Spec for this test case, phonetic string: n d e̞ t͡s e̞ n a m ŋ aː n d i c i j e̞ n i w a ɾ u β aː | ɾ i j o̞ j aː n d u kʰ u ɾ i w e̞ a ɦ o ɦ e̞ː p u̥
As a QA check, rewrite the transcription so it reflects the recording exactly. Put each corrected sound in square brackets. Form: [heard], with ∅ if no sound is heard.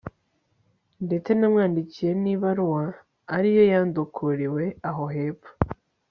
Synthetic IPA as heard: n d e̞ t͡s e̞ n a m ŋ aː n d i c i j e̞ n i [β] a ɾ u [w] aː | ɾ i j o̞ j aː n d u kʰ u ɾ i w e̞ a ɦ o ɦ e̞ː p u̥